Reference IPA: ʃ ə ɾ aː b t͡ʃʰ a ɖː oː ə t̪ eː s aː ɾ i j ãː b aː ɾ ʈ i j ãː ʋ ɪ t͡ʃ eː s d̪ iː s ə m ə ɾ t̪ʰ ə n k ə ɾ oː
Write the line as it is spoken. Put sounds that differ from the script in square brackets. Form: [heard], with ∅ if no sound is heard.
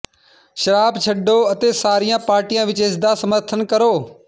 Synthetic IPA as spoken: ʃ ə ɾ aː b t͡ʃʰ [ə] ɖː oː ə t̪ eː s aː ɾ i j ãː [p] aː ɾ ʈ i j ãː ʋ ɪ t͡ʃ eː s d̪ [aː] s ə m ə ɾ t̪ʰ ə n k ə ɾ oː